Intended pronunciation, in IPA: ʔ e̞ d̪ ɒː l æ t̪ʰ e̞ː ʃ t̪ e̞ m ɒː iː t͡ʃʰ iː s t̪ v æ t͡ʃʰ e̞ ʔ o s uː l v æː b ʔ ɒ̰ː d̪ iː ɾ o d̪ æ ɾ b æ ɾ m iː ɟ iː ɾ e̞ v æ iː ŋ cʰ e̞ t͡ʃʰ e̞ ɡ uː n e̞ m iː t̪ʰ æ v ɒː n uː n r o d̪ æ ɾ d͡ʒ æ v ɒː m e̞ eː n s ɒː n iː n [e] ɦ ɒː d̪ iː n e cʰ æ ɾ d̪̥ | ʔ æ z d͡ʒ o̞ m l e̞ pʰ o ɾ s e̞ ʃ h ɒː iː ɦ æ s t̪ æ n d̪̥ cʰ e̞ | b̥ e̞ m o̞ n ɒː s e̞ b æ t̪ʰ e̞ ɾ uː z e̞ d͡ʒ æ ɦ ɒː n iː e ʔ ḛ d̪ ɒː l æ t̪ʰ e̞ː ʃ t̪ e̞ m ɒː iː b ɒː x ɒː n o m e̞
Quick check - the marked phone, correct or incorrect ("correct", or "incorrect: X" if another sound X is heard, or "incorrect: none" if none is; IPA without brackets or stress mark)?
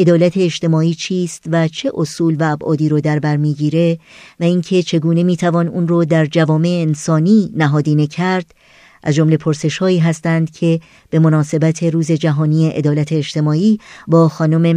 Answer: incorrect: æ